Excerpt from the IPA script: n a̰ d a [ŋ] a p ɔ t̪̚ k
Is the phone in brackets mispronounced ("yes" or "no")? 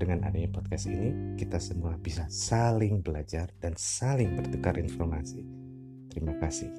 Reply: yes